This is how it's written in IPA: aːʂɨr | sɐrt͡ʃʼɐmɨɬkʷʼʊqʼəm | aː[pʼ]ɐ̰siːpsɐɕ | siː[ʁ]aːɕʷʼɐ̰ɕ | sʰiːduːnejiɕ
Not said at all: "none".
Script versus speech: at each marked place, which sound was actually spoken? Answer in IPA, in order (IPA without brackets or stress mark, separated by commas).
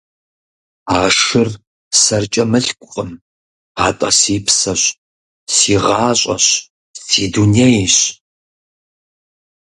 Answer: tʼ, ʁ